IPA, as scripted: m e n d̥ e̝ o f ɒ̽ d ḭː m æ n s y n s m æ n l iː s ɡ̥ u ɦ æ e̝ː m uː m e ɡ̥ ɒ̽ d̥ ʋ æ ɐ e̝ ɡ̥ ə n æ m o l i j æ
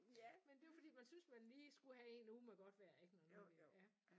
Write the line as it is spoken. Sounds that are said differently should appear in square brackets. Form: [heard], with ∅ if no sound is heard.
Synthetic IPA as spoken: m e n d̥ e̝ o f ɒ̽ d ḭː m æ n s y n s m æ n l iː s ɡ̥ u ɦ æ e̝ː [n] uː m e ɡ̥ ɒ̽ d̥ ʋ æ ɐ e̝ ɡ̥ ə n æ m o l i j æ